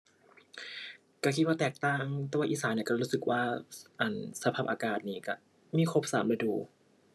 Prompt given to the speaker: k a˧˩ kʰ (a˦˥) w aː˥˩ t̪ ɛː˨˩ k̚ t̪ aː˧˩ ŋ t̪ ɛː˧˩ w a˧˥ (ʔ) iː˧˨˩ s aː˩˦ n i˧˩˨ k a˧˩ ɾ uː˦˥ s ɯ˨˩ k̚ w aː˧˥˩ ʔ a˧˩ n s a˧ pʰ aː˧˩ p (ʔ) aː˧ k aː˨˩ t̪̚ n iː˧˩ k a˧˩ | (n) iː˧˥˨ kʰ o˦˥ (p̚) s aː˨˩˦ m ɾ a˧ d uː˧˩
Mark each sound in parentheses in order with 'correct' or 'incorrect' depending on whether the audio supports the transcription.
incorrect, correct, correct, incorrect, correct

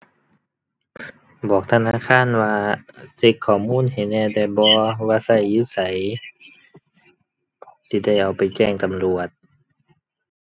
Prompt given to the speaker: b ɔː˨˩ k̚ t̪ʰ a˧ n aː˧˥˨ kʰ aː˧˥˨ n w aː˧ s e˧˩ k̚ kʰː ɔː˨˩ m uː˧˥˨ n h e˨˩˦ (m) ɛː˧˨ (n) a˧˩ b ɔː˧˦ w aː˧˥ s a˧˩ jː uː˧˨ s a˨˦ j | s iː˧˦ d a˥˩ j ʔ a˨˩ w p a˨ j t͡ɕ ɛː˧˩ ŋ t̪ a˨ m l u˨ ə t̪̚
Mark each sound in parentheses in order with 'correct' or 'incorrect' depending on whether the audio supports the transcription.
incorrect, incorrect

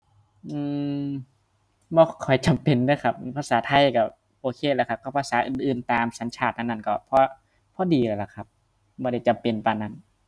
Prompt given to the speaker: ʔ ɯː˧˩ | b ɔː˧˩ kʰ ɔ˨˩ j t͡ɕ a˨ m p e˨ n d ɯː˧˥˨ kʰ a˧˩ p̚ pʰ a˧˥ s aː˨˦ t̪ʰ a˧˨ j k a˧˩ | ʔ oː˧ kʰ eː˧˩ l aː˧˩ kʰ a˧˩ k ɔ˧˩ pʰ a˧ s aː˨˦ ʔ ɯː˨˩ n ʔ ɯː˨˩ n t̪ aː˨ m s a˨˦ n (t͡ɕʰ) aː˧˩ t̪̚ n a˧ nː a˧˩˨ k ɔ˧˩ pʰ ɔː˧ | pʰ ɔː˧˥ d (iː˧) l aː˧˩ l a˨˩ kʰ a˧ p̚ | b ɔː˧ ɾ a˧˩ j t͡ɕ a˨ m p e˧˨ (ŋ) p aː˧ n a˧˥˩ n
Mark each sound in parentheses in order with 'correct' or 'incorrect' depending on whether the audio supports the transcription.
correct, correct, incorrect

